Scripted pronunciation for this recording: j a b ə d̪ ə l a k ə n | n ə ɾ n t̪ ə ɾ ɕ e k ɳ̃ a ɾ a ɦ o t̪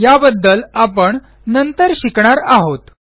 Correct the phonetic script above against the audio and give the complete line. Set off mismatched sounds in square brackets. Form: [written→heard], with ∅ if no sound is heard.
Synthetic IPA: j a b ə [d̪→d̪ː] ə l a [k→p] ə [n→ɳ] | n ə [ɾ→∅] n t̪ ə ɾ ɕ [e→i] k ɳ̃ a ɾ a ɦ o t̪